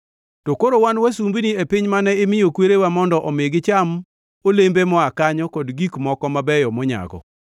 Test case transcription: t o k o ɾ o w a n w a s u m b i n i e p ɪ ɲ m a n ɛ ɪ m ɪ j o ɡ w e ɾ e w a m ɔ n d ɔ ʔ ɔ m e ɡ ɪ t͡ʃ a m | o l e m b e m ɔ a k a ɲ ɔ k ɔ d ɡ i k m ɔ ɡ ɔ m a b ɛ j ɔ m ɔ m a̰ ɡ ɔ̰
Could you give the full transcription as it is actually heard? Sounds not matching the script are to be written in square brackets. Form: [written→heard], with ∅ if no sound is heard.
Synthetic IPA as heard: t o k o ɾ o w a n w a s u m b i n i e p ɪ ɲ m a n ɛ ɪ m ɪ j o [ɡ→k] w e ɾ e w a m ɔ n d ɔ ʔ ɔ m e ɡ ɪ t͡ʃ a m | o l e m b e m ɔ a k a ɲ ɔ k ɔ d ɡ i k m ɔ [ɡ→k] ɔ m a b ɛ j ɔ m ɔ [m→ɲ] a̰ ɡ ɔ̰